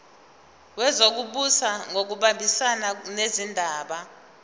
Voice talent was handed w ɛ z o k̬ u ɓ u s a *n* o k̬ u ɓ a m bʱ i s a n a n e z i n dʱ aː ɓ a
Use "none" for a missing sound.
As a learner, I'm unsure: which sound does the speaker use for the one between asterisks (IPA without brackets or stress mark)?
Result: ŋ